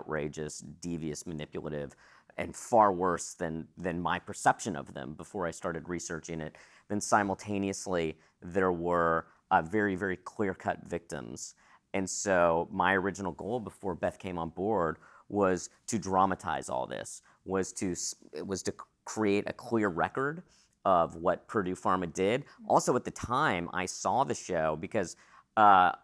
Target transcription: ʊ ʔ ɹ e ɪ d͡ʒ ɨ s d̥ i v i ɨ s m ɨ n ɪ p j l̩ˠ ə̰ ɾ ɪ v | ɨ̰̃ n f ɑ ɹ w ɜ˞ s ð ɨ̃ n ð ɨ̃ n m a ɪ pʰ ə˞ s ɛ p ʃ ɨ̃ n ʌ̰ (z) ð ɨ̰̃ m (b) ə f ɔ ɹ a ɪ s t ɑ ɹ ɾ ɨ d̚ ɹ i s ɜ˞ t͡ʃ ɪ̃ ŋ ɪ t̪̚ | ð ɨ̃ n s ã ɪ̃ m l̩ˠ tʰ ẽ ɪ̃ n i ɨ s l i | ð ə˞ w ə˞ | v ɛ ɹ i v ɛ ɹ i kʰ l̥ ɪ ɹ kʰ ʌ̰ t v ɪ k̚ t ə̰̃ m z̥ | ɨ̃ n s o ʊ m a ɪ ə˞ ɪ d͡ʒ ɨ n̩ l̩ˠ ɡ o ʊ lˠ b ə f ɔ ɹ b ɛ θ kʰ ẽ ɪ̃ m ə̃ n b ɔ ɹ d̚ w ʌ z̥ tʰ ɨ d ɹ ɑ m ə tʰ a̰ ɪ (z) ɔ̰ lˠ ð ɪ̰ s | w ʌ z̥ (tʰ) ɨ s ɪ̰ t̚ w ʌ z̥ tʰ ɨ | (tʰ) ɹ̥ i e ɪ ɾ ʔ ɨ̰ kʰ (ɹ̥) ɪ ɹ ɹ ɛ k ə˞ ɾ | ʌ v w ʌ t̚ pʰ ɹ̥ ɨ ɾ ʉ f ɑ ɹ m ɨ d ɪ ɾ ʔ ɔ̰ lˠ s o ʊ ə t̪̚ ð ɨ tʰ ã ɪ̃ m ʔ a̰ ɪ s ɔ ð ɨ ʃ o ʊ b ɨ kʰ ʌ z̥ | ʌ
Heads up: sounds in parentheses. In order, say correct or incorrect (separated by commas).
incorrect, correct, correct, correct, incorrect, incorrect